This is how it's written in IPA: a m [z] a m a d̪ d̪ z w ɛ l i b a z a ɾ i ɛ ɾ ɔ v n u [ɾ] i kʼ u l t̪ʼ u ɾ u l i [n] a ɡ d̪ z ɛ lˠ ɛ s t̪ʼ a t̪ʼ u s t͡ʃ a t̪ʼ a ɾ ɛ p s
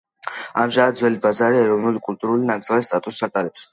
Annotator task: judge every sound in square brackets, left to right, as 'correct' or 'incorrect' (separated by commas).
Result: incorrect, incorrect, correct